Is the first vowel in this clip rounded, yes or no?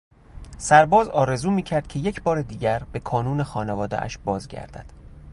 no